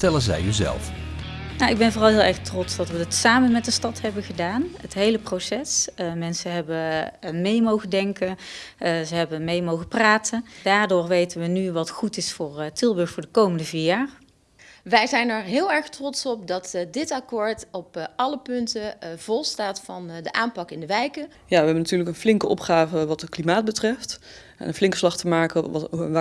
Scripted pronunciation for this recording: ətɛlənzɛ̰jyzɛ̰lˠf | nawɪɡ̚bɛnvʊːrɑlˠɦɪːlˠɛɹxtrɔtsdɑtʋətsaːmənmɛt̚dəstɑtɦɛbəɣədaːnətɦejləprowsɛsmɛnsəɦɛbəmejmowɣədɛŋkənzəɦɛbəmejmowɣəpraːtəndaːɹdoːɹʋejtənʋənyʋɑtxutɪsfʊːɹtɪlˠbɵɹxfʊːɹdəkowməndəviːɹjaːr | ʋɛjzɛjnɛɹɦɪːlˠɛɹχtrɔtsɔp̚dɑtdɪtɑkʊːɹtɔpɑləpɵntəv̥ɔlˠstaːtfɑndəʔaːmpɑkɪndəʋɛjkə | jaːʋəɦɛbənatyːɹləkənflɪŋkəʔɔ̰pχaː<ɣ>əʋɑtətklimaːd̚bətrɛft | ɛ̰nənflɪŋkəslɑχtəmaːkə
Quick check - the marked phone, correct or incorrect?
incorrect